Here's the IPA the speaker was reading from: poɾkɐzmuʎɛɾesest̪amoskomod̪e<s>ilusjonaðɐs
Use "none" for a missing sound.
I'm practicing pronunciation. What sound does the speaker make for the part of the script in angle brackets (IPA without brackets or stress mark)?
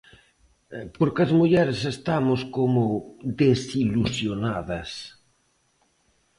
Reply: s